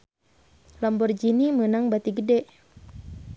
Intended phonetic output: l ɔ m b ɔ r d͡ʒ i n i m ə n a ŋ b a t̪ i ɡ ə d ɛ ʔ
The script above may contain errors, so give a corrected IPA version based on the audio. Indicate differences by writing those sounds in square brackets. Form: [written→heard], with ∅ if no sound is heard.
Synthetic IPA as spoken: l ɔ m b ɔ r d͡ʒ i n i m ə n a ŋ b a t̪ i ɡ ə d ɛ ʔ